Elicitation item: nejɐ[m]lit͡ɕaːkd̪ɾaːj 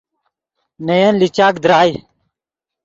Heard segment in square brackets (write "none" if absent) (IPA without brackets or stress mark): n